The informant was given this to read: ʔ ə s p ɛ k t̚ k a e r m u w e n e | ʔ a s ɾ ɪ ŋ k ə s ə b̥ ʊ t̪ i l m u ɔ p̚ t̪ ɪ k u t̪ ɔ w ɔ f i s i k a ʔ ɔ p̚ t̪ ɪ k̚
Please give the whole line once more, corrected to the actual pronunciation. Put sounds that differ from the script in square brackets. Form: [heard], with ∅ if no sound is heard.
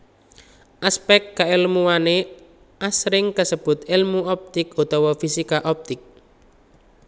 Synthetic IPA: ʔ [a] s p ɛ k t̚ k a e [l] m u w [a] n e | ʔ a s ɾ ɪ ŋ k ə s ə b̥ ʊ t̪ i l m u ɔ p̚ t̪ ɪ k u t̪ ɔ w ɔ f i s i k a ʔ ɔ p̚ t̪ ɪ k̚